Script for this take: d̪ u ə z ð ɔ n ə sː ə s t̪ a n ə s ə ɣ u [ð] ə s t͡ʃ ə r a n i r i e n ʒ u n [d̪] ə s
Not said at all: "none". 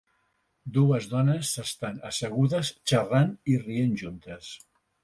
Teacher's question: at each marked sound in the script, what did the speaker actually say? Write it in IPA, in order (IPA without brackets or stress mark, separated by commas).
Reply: ð, t̪